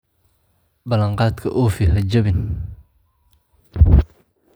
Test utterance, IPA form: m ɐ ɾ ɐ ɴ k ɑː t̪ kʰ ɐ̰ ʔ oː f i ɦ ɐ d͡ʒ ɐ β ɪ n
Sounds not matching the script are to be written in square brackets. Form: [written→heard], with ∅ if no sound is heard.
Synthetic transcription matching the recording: [m→b] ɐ [ɾ→l] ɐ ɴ [k→q] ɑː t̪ kʰ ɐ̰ ʔ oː f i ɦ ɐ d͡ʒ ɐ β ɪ n